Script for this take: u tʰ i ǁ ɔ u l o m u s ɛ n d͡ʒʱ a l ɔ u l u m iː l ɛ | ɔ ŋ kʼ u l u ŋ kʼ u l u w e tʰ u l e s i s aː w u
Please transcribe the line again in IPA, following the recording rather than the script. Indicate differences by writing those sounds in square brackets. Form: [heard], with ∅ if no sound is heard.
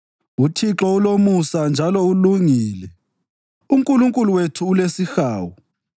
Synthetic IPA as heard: u tʰ i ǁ ɔ u l o m u s [a] n d͡ʒʱ a l ɔ u l u [ŋ] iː l ɛ | [u] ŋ kʼ u l u ŋ kʼ u l u w e tʰ [uː] l e s i [x] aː w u